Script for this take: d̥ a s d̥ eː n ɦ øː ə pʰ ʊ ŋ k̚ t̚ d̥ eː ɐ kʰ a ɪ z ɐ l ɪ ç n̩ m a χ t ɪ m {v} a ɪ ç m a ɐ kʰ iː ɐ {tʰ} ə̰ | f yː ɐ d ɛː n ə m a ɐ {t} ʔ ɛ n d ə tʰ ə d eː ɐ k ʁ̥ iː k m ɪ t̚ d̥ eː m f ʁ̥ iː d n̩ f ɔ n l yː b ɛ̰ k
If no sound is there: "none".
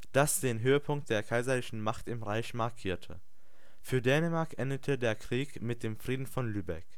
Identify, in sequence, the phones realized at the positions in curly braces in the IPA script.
ʁ, tʰ, k

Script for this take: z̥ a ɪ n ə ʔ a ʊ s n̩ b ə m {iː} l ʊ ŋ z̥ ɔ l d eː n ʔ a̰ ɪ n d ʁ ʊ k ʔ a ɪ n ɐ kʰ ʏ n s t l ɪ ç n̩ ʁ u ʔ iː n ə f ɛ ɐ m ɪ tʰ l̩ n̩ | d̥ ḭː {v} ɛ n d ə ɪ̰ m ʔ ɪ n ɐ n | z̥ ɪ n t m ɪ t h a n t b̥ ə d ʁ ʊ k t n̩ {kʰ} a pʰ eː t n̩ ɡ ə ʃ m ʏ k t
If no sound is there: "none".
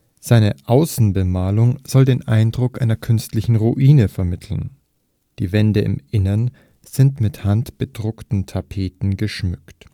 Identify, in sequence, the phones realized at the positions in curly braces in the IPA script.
aː, v, tʰ

